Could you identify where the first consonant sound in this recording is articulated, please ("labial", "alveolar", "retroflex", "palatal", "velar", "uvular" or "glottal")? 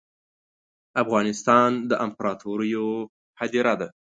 labial